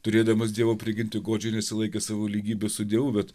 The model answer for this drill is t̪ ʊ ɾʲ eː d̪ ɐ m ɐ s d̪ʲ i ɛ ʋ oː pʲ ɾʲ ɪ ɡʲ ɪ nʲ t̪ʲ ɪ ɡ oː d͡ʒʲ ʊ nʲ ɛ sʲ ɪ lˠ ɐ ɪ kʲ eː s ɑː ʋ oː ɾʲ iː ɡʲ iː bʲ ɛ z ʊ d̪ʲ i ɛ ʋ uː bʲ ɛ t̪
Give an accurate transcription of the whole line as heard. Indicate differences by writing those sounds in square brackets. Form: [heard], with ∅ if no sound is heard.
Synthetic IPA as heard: t̪ ʊ ɾʲ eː d̪ ɐ m ɐ s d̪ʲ i ɛ ʋ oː pʲ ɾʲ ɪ ɡʲ ɪ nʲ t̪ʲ ɪ ɡ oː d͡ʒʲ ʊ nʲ ɛ sʲ ɪ lˠ ɐ ɪ kʲ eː s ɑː ʋ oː [lʲ] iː ɡʲ iː bʲ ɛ [s] ʊ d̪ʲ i ɛ ʋ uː bʲ ɛ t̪